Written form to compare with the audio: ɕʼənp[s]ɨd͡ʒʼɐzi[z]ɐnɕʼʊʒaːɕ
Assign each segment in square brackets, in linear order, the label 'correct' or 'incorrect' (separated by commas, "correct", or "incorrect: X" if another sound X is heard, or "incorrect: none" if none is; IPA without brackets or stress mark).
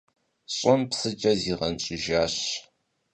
correct, incorrect: ʁ